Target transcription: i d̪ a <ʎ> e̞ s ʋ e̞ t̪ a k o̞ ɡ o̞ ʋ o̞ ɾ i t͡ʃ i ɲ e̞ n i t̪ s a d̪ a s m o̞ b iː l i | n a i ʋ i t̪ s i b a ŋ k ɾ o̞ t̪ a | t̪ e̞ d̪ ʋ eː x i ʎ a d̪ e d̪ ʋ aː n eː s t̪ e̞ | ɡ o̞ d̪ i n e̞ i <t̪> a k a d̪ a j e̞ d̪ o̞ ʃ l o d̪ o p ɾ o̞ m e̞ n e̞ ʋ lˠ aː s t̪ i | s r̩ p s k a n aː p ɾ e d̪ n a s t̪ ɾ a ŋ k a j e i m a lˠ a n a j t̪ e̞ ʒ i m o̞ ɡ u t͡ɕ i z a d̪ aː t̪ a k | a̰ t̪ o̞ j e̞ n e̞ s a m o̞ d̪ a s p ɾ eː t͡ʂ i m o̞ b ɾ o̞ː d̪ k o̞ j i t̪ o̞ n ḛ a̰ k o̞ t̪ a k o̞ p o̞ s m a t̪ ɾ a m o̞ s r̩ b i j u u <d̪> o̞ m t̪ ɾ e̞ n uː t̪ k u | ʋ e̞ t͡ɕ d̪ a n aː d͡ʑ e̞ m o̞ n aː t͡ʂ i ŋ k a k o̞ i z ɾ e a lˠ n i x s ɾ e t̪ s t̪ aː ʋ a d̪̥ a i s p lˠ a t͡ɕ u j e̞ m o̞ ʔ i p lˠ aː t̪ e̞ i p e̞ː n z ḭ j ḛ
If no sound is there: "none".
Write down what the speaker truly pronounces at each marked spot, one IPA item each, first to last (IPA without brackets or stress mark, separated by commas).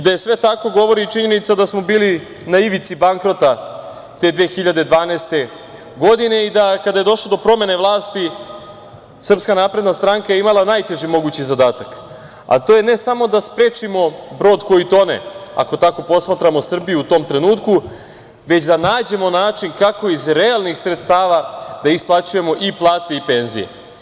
j, d̪, t̪